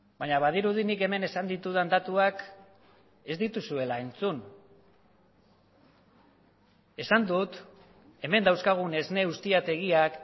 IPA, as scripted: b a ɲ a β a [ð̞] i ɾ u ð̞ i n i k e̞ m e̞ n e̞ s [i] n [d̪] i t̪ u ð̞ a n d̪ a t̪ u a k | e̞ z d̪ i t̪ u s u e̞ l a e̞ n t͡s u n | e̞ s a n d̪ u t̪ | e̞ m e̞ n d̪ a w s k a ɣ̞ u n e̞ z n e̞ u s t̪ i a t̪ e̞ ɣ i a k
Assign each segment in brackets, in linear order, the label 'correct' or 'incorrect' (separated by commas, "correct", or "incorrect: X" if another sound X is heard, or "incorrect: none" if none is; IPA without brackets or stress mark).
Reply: correct, incorrect: a, correct